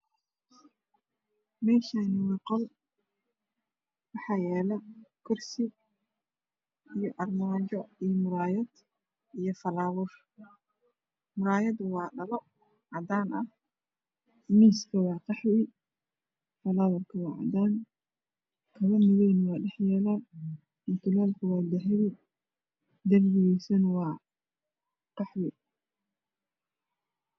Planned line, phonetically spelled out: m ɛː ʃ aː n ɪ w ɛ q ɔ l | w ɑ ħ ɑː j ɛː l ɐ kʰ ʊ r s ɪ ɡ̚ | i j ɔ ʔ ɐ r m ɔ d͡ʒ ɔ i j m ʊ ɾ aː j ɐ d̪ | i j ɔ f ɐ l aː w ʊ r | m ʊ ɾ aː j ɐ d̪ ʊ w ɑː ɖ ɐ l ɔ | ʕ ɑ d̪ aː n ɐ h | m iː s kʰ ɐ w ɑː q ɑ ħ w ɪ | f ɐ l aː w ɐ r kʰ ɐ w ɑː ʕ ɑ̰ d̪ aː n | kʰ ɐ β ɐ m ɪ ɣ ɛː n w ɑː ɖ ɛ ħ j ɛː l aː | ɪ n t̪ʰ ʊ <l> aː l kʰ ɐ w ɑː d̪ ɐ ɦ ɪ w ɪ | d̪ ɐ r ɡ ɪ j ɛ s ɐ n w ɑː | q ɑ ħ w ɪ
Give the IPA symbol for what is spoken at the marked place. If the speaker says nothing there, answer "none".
l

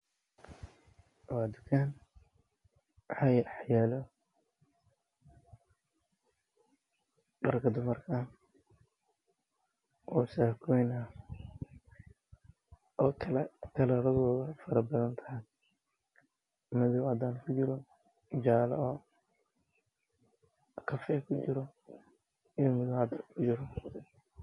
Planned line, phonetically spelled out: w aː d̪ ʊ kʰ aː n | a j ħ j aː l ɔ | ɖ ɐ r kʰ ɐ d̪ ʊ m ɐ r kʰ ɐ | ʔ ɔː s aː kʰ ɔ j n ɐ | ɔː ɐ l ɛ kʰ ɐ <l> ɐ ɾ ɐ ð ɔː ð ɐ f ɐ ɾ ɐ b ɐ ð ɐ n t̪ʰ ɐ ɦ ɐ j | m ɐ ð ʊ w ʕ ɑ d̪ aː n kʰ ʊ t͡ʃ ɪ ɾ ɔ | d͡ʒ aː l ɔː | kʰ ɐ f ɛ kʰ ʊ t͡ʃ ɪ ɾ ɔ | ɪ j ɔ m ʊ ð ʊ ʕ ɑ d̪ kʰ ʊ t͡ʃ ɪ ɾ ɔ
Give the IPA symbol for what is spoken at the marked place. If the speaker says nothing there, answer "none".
l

